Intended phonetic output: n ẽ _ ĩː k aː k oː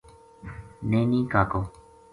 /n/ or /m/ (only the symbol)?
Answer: n